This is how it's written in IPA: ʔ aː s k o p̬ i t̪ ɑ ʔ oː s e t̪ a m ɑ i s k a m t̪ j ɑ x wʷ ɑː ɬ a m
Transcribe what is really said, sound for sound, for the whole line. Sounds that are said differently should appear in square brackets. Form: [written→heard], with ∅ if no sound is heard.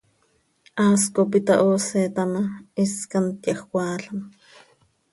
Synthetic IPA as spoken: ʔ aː s k o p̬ i t̪ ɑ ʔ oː s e t̪ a m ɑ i s k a [m→n] t̪ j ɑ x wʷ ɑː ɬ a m